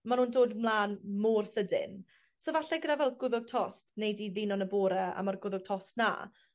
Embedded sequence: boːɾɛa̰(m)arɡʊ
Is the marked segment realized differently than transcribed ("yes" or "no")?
no